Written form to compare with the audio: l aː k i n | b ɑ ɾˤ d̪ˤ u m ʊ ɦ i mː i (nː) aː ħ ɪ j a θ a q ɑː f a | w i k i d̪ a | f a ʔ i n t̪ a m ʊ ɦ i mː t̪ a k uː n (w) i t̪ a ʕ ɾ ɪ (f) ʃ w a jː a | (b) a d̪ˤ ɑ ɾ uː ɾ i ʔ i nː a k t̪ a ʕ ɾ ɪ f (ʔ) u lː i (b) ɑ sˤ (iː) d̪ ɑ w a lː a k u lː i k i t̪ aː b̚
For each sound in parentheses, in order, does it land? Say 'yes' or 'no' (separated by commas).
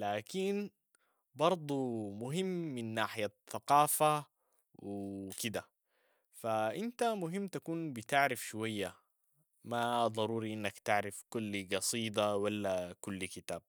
yes, no, yes, no, no, no, yes